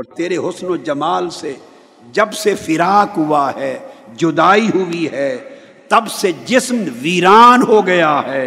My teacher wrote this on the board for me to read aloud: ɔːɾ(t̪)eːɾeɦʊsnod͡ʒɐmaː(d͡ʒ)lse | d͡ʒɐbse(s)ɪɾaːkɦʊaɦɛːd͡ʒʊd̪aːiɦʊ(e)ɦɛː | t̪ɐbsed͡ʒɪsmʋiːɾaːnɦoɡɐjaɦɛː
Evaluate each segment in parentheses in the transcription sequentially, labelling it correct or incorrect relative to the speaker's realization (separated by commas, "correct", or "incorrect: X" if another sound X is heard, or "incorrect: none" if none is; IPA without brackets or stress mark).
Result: correct, incorrect: none, incorrect: f, incorrect: i